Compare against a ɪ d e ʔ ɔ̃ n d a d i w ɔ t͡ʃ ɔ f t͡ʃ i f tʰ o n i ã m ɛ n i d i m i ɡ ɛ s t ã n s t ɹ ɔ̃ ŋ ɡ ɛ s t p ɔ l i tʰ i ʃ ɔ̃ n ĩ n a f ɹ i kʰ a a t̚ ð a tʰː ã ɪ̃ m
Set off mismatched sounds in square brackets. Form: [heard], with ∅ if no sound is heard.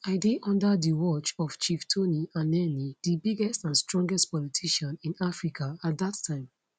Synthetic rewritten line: a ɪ d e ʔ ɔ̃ n d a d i w ɔ t͡ʃ ɔ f t͡ʃ i f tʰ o n i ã [n] ɛ n i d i [b] i ɡ ɛ s t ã n s t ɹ ɔ̃ ŋ ɡ ɛ s t p ɔ l i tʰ i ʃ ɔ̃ n ĩ n a f ɹ i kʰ a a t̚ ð a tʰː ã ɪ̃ m